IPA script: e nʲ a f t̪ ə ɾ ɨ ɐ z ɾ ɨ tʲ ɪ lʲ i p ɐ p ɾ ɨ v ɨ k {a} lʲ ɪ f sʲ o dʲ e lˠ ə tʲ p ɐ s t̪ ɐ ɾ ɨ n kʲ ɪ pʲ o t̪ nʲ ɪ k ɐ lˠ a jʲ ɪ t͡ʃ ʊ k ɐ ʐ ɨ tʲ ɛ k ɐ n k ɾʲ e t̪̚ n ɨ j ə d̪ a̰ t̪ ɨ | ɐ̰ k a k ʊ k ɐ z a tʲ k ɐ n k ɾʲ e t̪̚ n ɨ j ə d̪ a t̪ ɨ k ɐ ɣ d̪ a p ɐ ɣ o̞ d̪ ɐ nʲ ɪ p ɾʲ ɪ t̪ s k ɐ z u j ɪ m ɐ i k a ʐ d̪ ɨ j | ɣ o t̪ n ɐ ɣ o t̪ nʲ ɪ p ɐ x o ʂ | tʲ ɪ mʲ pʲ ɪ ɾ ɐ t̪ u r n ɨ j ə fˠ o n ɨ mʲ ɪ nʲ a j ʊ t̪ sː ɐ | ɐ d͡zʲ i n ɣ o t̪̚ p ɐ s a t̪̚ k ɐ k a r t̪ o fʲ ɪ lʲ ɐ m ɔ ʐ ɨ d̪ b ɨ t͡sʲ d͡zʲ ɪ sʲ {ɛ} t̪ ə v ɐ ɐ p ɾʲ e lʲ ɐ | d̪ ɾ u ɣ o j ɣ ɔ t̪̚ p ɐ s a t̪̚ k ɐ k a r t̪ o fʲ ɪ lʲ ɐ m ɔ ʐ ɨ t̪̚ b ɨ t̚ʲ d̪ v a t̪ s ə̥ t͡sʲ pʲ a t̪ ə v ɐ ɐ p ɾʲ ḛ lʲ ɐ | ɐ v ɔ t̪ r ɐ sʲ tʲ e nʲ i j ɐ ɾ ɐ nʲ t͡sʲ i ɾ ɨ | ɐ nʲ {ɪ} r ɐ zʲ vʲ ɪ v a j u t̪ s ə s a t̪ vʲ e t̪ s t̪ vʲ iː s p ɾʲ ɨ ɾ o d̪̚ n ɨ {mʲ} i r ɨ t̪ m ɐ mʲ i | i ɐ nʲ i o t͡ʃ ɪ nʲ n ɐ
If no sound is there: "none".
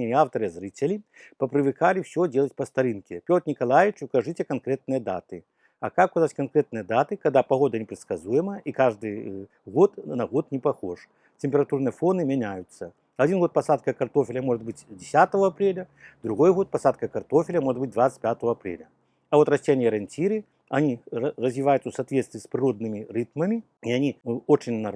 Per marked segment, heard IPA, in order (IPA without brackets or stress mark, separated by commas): a, a, i, mʲ